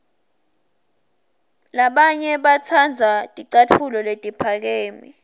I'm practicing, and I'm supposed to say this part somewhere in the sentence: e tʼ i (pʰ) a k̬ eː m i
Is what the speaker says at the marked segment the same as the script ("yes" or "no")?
yes